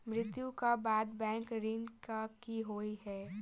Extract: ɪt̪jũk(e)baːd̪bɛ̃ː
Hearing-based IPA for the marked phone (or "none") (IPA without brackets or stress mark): a